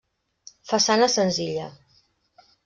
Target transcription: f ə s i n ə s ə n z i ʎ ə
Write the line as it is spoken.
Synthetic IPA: f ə s a n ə s ə n z i ʎ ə